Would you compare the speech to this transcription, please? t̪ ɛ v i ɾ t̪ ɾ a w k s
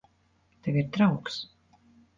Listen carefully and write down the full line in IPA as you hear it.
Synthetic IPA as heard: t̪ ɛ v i ɾ t̪ ɾ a w k s